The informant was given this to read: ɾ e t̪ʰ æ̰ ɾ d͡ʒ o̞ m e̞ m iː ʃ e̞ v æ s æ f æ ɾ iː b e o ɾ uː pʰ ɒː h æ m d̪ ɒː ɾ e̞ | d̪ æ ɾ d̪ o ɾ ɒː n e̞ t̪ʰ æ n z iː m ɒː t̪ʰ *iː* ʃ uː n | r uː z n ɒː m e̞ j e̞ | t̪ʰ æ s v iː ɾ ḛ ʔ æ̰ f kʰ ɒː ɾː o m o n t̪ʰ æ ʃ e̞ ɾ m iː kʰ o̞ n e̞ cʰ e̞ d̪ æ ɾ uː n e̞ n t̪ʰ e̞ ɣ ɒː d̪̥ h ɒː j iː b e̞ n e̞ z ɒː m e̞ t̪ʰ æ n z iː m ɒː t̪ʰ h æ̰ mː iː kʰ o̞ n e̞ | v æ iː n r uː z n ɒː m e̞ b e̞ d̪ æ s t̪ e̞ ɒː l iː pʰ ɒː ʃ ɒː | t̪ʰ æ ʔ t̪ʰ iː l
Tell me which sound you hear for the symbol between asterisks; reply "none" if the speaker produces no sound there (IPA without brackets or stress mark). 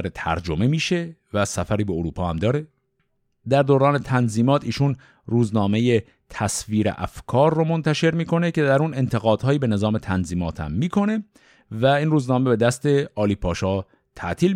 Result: iː